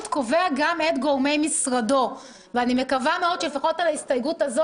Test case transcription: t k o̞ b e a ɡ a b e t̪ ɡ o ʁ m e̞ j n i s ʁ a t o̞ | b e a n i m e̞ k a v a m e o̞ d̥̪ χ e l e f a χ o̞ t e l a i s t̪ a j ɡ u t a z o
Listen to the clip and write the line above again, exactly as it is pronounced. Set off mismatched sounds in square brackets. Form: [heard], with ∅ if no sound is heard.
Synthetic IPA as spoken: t k o̞ [v] e a ɡ a [m] e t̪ ɡ o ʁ m e̞ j [m] i s ʁ a [d] o̞ | [v] e a n i m e̞ k a v a m e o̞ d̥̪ [ʃ] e l e f a χ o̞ t [a] l a i s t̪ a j ɡ u t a z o